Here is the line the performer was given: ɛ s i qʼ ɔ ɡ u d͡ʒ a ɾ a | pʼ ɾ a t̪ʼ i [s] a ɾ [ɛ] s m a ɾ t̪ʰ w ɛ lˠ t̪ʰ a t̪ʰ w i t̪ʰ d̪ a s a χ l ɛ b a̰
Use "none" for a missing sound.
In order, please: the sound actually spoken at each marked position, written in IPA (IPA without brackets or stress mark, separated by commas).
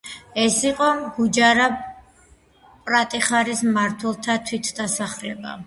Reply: χ, i